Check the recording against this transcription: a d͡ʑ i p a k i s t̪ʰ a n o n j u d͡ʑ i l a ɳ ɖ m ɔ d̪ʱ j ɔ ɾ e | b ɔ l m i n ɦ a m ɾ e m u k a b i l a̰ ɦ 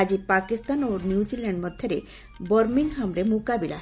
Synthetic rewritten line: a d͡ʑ i p a k i s t̪ a n o n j u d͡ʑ i l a ɳ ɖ m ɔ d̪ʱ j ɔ ɾ e | b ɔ ɾ m i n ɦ a m ɾ e m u k a b i l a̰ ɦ